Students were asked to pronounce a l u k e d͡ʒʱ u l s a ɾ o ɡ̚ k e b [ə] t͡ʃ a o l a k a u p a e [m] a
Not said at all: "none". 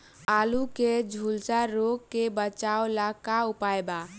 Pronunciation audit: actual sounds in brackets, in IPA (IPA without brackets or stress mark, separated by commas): ə, b